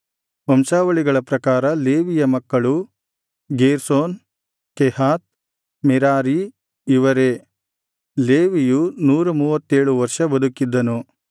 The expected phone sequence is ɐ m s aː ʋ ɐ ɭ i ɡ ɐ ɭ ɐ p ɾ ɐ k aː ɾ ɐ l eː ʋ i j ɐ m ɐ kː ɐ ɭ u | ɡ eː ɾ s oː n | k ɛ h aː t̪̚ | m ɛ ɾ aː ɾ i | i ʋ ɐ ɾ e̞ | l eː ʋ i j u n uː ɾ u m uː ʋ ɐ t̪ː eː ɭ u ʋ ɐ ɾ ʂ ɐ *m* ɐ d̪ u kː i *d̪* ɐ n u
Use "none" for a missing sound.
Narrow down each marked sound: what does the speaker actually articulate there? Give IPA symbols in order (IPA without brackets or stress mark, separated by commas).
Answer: b, d̪ː